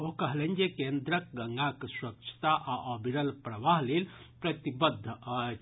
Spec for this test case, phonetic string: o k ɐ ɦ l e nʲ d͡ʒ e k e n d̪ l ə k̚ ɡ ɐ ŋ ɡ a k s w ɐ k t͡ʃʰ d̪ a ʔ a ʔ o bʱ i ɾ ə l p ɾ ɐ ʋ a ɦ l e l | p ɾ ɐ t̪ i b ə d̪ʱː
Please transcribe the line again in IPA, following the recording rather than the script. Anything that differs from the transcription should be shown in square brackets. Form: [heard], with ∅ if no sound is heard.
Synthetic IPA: o k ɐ ɦ l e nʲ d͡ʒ e k e n d̪ [ɾ] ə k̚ ɡ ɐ ŋ ɡ a k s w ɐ k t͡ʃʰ [t̪] a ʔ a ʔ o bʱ i ɾ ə l p ɾ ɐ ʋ a ɦ l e l | p ɾ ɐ t̪ i b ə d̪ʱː